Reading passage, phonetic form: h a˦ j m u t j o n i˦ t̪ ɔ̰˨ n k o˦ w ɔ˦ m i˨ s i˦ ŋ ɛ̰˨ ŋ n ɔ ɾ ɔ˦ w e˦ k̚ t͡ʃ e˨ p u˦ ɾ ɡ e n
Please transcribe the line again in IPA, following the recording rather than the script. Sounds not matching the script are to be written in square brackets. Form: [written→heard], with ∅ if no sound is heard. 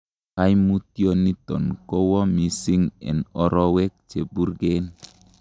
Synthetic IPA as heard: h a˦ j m u t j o n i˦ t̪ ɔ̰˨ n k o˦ w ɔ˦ m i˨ s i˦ ŋ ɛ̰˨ [ŋ→∅] n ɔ ɾ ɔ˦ w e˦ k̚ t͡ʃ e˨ [p→b] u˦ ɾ ɡ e n